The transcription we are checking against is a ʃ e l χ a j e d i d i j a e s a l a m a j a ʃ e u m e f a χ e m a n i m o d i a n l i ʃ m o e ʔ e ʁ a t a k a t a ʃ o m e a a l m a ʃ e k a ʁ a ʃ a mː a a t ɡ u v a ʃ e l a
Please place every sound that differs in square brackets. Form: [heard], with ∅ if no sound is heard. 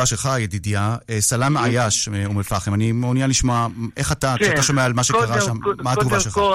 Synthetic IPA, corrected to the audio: a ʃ e l χ a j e d i d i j a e s a l a m a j a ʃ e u m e f a χ e m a n i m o [n] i a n l i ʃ m o [a] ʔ e [χ] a t a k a t a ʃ o m e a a l m a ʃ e k a ʁ a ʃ a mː a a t ɡ u v a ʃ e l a